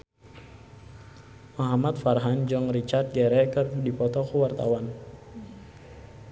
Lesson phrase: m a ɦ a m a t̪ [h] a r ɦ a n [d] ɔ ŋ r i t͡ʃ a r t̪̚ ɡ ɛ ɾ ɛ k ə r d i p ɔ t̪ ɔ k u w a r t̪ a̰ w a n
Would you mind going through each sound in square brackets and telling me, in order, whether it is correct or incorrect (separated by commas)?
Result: incorrect, incorrect